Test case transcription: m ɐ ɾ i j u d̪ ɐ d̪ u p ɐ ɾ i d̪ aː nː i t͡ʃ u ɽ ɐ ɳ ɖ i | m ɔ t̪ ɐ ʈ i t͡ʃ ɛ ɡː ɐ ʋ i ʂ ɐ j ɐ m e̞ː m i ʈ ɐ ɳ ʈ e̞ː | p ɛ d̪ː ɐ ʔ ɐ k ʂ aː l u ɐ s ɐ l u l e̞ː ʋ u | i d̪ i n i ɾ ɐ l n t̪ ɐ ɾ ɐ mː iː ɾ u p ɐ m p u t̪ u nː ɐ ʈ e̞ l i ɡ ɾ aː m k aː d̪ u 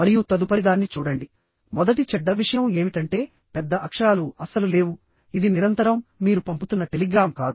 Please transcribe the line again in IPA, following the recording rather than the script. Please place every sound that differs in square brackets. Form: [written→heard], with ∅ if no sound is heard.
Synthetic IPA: m ɐ ɾ i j u [d̪→t̪] ɐ d̪ u p ɐ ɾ i d̪ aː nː i t͡ʃ [u→uː] ɽ ɐ ɳ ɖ i | m ɔ [t̪→d̪] ɐ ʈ i t͡ʃ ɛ [ɡː→ɖː] ɐ ʋ i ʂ ɐ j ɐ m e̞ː m i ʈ ɐ ɳ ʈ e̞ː | p ɛ d̪ː ɐ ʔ ɐ k ʂ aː l u ɐ s ɐ l u l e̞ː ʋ u | i d̪ i n i ɾ ɐ [l→∅] n t̪ ɐ ɾ ɐ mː iː ɾ u p ɐ m p u t̪ u nː ɐ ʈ e̞ l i ɡ ɾ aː m k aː d̪ u